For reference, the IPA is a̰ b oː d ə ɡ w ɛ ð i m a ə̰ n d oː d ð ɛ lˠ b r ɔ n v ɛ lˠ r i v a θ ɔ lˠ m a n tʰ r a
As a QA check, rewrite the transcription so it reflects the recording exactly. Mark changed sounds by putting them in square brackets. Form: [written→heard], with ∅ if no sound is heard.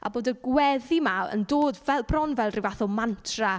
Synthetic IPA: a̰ b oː d ə ɡ w ɛ ð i m a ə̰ n d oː d [ð→v] ɛ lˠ b r ɔ n v ɛ lˠ r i v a θ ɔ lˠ m a n tʰ r a